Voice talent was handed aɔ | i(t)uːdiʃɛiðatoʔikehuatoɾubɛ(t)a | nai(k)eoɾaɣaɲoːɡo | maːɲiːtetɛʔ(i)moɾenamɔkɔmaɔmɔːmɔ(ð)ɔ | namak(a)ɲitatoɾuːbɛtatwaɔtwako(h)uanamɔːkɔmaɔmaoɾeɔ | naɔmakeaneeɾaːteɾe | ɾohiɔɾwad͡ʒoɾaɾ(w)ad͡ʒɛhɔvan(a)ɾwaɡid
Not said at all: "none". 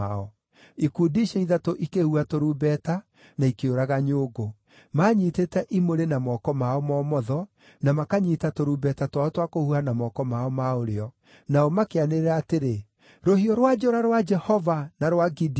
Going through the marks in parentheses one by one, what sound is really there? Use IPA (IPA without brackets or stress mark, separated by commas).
k, t, k, i, ð, a, h, w, a